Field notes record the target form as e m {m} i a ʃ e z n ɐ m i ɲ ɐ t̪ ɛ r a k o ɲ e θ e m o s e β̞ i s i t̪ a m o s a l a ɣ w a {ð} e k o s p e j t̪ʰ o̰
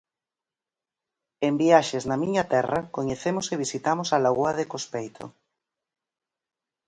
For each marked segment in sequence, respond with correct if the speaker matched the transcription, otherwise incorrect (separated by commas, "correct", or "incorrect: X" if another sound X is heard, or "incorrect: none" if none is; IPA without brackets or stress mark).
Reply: incorrect: b, correct